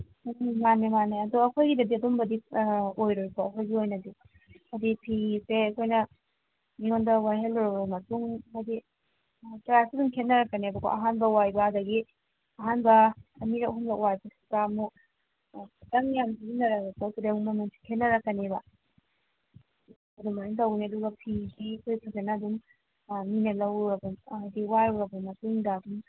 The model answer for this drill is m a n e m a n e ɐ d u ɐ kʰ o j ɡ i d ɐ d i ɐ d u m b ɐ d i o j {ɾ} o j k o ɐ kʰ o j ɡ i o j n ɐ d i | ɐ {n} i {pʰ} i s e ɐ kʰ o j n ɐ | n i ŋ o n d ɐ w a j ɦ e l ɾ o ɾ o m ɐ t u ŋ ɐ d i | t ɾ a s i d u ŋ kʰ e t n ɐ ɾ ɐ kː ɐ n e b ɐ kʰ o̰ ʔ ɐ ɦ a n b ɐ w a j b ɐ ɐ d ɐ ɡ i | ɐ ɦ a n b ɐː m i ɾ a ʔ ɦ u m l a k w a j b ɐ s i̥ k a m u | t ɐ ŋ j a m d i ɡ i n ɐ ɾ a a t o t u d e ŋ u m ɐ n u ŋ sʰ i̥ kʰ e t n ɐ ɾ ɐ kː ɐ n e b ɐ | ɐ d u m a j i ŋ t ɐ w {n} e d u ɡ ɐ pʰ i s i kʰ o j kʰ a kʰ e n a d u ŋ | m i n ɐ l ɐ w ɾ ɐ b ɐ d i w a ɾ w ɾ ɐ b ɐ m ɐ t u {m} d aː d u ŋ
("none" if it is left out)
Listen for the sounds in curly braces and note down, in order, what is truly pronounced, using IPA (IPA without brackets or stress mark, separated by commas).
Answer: ɾ, d, pʰ, n, ŋ